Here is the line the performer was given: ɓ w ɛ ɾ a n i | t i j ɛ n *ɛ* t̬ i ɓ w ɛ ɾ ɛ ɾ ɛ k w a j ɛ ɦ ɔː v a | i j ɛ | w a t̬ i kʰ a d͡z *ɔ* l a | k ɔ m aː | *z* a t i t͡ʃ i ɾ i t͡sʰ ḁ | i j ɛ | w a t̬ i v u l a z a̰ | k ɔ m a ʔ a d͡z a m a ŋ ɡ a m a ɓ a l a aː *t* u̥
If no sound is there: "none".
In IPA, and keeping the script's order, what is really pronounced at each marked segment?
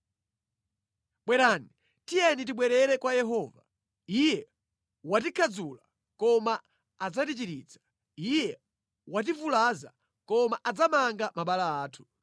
i, u, d͡z, tʰ

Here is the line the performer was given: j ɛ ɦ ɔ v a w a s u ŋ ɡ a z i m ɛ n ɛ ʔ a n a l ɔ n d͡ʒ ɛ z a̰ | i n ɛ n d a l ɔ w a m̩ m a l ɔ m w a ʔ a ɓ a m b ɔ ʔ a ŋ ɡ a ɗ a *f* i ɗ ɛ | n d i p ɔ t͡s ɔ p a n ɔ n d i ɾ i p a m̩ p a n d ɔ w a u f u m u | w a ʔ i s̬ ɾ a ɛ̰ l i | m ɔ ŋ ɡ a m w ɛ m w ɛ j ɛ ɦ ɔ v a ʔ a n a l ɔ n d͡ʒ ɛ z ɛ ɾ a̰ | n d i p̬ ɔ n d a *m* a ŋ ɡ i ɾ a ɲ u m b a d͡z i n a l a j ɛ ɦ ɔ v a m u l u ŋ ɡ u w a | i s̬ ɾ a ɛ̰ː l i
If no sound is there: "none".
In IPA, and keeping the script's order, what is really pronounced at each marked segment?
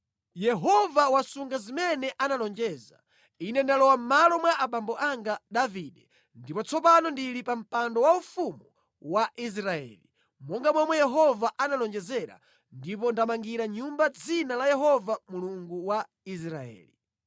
v, m

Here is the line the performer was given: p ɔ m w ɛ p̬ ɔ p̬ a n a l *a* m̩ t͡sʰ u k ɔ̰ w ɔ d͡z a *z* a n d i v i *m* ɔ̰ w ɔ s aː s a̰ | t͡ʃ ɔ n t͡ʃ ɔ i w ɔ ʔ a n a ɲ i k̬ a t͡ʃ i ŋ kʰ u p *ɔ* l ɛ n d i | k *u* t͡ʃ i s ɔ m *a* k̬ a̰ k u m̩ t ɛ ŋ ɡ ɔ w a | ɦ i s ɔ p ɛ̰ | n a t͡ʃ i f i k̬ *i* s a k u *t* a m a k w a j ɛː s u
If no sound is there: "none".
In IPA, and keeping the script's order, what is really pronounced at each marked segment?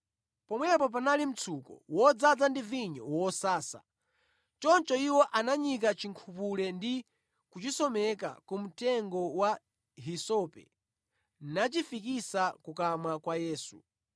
i, d͡z, ɲ, u, u, ɛ, i, k

